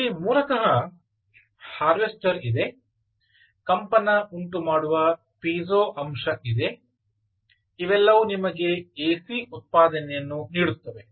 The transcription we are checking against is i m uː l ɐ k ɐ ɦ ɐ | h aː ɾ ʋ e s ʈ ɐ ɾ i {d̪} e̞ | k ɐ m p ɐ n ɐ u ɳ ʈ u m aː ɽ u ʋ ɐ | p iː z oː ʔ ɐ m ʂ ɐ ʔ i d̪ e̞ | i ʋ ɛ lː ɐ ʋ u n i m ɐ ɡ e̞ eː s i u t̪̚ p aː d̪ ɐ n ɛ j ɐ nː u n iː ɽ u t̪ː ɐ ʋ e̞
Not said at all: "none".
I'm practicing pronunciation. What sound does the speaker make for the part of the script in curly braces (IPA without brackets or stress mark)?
d̪